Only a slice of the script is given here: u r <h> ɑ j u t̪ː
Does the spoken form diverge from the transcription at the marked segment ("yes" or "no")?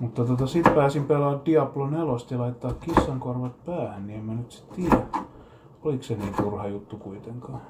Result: no